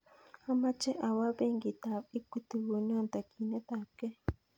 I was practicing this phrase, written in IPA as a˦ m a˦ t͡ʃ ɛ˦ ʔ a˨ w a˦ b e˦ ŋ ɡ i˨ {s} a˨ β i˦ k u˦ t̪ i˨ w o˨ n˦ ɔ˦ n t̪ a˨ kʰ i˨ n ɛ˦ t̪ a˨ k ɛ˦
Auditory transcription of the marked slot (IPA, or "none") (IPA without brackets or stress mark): t